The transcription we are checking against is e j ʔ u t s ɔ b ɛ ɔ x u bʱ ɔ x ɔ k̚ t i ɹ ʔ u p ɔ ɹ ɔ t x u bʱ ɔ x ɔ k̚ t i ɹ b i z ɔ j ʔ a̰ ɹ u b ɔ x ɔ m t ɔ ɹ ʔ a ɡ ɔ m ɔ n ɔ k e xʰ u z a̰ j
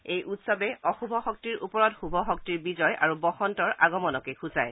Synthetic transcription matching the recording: e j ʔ u t s ɔ b ɛ ɔ x u bʱ ɔ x ɔ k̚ t i ɹ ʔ u p ɔ ɹ ɔ t x u bʱ ɔ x ɔ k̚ t i ɹ b i z ɔ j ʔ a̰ ɹ u b ɔ x ɔ n t ɔ ɹ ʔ a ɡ ɔ m ɔ n ɔ k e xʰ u z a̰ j